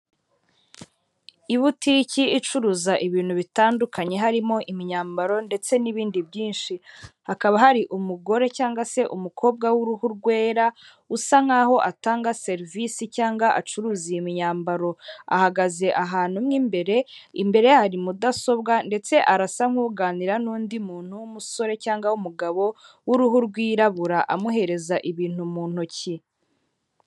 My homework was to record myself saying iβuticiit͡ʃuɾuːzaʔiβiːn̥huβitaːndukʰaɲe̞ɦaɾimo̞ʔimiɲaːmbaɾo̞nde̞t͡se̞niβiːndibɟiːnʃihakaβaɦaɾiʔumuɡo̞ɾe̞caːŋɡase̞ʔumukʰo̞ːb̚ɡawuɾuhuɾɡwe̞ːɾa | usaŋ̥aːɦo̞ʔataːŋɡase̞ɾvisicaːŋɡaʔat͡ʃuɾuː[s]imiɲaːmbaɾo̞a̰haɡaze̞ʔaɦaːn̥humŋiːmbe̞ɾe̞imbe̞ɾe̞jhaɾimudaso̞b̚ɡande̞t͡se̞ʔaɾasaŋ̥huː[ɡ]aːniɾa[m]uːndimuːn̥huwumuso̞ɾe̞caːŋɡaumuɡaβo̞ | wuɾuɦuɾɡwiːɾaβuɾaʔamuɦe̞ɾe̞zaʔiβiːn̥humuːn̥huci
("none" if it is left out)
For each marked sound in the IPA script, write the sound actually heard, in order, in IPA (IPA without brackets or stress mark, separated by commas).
z, ɡ, n